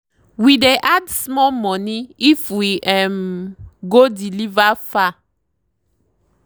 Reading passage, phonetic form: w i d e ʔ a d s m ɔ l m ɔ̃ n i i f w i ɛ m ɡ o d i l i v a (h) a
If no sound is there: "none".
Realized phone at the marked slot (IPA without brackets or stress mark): f